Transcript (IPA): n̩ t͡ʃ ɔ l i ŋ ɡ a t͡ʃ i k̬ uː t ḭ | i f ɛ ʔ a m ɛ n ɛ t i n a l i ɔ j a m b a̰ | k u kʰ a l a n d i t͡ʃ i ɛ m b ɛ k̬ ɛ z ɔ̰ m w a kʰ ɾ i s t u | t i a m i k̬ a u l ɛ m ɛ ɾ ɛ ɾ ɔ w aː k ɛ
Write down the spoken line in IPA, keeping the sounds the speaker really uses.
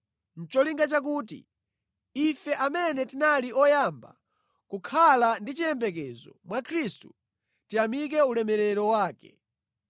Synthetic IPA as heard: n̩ t͡ʃ ɔ l i ŋ ɡ a t͡ʃ a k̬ uː t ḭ | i f ɛ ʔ a m ɛ n ɛ t i n a l i ɔ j a m b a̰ | k u kʰ a l a n d i t͡ʃ i ɛ m b ɛ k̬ ɛ z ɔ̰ m w a kʰ ɾ i s t u | t i a m i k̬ ɛ u l ɛ m ɛ ɾ ɛ ɾ ɔ w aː k ɛ